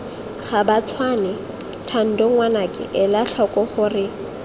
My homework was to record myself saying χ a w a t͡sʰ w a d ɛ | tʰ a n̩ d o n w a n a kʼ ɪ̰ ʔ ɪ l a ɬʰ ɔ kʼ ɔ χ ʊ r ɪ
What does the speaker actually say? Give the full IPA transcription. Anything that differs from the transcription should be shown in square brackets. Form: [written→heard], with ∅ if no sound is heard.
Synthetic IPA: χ a [w→b] a t͡sʰ w a [d→n] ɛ | tʰ a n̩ d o [n→ŋ] w a n a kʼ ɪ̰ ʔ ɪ l a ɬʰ ɔ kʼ ɔ χ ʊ r ɪ